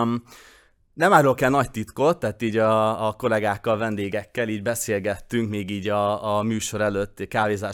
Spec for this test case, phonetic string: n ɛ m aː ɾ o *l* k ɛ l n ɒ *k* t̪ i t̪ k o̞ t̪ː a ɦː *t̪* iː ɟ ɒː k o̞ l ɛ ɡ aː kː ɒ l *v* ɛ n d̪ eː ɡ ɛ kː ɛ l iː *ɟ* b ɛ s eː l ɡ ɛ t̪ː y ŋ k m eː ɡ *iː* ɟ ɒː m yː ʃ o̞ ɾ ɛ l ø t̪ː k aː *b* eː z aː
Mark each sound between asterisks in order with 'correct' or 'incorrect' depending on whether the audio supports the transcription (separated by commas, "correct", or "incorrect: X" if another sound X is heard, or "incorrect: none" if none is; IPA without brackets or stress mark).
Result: correct, incorrect: c, correct, correct, correct, correct, incorrect: v